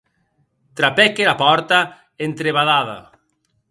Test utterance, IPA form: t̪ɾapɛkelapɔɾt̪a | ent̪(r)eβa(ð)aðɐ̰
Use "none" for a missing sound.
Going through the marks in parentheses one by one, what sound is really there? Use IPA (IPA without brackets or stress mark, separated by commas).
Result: ɾ, ð